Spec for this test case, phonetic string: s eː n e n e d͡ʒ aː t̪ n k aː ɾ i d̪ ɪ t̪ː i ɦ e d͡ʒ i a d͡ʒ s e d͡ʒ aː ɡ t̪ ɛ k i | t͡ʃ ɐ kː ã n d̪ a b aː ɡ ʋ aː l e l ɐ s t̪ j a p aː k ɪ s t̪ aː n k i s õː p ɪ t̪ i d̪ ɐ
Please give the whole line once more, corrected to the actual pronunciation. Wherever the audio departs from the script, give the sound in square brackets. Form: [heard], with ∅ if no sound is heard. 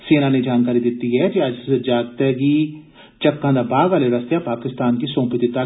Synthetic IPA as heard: s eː n [a] n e d͡ʒ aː [∅] n k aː ɾ i d̪ ɪ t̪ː i ɦ [ɛ] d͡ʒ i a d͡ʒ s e d͡ʒ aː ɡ t̪ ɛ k i | t͡ʃ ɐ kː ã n d̪ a b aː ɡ ʋ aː l e [ɾ] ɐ s t̪ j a p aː k ɪ s t̪ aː n k i s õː p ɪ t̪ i [t̪] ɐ

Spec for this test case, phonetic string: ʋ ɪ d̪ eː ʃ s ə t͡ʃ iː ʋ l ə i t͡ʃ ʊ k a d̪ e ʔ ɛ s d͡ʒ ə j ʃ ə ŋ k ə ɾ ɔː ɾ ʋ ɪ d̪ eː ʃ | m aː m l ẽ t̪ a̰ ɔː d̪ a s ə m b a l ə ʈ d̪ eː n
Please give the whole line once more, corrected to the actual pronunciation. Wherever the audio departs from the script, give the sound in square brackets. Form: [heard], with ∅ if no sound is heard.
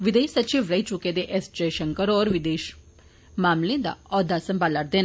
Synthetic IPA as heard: ʋ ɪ d̪ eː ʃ s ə t͡ʃ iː ʋ [ɾ] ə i t͡ʃ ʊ k [e] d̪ e ʔ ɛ s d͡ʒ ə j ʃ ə ŋ k ə ɾ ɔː ɾ ʋ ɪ d̪ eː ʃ | m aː m l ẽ [d̪] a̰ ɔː d̪ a s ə m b a l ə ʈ d̪ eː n

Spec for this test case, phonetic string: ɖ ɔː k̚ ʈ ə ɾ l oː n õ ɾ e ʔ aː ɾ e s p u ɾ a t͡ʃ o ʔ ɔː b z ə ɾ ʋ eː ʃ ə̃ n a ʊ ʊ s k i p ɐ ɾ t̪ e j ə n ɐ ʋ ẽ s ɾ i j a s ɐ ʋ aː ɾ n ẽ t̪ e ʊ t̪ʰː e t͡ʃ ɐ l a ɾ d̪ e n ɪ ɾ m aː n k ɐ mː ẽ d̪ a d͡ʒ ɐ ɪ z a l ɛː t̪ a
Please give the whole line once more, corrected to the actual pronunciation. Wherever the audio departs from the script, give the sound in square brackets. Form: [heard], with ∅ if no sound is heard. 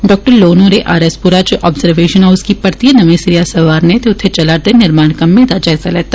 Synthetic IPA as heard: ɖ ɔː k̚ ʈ ə ɾ l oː n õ ɾ e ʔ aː ɾ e s p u ɾ a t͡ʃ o ʔ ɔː b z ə ɾ ʋ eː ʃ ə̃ n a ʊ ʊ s k i p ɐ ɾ t̪ [i] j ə n ɐ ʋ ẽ s ɾ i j a s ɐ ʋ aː ɾ n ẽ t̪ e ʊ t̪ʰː e t͡ʃ ɐ l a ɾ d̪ e n ɪ ɾ m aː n k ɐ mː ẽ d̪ a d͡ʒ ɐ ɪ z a l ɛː t̪ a

